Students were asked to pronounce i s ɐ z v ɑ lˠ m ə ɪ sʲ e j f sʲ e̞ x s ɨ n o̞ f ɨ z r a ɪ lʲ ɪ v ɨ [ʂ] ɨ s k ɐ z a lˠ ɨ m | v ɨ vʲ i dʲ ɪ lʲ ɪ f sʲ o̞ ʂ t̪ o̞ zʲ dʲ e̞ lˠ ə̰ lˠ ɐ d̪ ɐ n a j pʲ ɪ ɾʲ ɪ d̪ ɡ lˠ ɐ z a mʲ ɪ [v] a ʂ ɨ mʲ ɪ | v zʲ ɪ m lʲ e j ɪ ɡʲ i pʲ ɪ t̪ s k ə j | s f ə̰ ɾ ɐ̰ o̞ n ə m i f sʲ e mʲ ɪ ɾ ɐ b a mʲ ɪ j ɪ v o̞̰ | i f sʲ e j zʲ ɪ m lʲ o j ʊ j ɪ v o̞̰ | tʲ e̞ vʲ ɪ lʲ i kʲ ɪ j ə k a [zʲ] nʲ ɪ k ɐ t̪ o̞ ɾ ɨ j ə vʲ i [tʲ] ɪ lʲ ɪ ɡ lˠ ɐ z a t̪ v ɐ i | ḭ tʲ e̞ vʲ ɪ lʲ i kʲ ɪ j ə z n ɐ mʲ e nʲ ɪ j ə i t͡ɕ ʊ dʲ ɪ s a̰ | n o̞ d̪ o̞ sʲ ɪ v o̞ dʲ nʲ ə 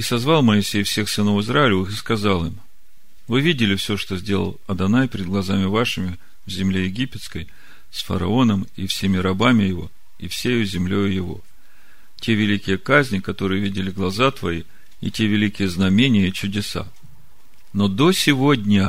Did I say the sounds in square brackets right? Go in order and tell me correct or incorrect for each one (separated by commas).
incorrect, correct, correct, incorrect